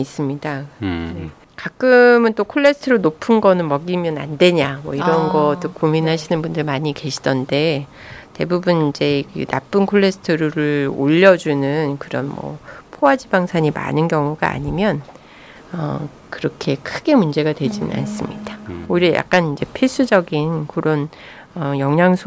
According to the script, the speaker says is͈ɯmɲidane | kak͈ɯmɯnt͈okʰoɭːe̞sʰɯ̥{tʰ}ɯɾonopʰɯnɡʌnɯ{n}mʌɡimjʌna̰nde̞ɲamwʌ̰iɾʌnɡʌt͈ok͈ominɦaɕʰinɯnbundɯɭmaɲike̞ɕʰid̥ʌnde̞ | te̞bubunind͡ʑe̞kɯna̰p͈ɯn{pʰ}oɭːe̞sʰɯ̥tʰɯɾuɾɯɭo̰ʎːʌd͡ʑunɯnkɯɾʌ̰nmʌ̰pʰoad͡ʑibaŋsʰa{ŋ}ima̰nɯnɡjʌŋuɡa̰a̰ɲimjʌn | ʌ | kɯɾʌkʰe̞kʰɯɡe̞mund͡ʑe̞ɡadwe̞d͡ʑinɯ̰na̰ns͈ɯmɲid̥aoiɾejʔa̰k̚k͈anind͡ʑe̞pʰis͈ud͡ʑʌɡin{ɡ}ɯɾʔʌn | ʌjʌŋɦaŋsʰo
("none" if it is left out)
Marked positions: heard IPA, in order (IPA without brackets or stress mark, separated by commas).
tʰ, n, kʰ, ɲ, k